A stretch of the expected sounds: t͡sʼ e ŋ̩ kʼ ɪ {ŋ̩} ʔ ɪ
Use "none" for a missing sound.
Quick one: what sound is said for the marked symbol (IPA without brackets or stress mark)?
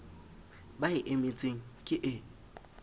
none